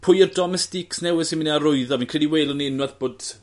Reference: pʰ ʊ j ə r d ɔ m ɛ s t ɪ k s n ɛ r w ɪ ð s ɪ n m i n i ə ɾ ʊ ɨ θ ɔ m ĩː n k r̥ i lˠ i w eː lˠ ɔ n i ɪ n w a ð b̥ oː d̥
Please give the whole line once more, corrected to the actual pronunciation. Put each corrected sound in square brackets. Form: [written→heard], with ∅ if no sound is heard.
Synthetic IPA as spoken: pʰ ʊ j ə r d ɔ m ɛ s t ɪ k s n ɛ [r→∅] w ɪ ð s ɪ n m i n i [ə→a] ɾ ʊ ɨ [θ→ð] ɔ m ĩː n k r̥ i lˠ i w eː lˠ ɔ n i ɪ n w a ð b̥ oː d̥